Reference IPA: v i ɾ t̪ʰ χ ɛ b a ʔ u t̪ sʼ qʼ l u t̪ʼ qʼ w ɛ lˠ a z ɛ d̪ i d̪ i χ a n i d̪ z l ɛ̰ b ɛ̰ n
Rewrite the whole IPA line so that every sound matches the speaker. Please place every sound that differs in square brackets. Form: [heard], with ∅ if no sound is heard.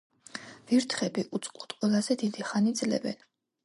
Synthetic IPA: v i ɾ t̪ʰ χ ɛ b [i] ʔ u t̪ sʼ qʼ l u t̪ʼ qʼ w ɛ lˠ a z ɛ d̪ i d̪ i χ a n i d̪ z l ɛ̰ b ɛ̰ n